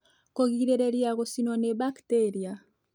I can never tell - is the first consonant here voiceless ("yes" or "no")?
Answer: yes